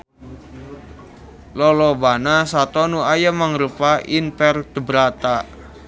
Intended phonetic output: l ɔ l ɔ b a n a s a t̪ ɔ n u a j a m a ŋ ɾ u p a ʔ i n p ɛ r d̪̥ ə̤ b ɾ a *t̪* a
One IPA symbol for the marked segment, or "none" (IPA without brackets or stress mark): t̪